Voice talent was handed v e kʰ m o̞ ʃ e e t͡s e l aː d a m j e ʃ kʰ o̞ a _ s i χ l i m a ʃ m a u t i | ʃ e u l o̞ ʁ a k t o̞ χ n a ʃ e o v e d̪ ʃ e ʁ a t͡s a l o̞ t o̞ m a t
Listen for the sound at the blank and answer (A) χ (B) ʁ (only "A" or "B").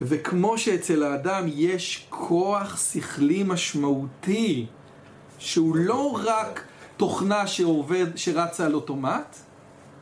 A